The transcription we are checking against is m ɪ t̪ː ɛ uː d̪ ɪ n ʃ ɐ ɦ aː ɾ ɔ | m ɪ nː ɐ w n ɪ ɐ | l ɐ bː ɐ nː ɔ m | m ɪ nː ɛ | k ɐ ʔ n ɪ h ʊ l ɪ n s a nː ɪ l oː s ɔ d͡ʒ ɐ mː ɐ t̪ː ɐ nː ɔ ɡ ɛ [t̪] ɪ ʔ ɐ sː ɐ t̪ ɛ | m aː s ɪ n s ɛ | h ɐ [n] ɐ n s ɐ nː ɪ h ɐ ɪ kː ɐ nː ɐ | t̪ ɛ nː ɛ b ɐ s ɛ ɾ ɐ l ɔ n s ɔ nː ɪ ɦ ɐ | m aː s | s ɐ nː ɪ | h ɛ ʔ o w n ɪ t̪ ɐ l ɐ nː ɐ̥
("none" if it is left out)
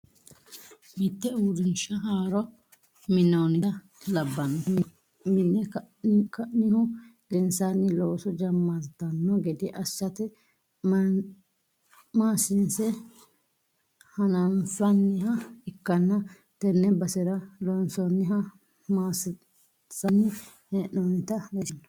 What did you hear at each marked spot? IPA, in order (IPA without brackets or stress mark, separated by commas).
d̪, n